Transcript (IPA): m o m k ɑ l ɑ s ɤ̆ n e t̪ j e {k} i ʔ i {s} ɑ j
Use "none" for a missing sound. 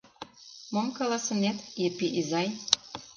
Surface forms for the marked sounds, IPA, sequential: p, z

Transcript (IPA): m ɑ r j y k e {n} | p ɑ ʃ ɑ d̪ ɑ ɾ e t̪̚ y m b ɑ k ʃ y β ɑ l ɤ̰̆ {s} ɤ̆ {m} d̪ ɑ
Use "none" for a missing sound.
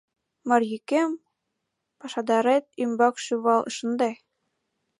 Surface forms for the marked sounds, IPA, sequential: m, ʃ, n

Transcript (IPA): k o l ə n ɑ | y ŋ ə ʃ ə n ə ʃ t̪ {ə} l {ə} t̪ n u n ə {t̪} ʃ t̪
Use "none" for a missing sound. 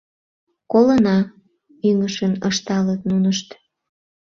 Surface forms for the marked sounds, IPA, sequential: ɑ, ə, none

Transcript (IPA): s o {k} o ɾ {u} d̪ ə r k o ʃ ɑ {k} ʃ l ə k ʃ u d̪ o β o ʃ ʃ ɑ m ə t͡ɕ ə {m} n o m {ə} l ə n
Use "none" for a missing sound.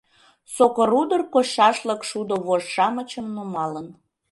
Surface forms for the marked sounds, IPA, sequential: k, u, none, m, ɑ

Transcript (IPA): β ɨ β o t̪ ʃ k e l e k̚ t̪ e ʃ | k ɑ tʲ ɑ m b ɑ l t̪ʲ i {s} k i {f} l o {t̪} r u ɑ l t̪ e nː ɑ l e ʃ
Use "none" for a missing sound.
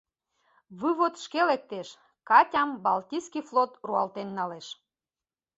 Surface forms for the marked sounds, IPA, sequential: s, f, t̪

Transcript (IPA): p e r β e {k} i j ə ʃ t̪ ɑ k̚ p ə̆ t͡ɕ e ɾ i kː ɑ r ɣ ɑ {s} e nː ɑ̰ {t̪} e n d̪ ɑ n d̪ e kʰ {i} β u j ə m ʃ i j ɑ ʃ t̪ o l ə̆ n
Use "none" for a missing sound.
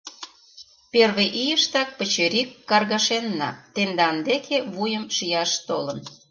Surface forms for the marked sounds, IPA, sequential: ʔ, ʃ, t̪, e

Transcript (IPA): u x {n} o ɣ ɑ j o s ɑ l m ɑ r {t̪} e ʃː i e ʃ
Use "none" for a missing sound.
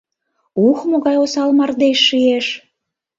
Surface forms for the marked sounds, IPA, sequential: m, d̪

